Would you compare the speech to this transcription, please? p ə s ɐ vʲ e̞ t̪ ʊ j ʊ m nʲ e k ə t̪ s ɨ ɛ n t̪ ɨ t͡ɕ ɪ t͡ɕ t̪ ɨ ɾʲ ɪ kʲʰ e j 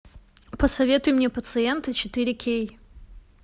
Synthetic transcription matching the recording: p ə s ɐ vʲ e̞ t̪ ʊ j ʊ m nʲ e p ə t̪ s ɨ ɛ n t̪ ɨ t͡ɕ ɪ t̪ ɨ ɾʲ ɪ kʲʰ e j